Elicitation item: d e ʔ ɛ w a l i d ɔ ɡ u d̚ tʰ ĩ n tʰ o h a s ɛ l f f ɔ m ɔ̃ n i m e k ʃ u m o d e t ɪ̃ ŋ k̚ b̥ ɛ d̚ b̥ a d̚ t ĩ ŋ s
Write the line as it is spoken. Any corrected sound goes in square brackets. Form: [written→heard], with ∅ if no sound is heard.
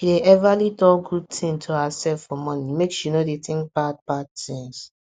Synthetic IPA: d e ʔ ɛ [w→v] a l i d ɔ ɡ u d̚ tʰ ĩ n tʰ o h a s ɛ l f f ɔ m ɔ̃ n i m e k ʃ u [m→n] o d e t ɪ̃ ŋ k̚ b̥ [ɛ→a] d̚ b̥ a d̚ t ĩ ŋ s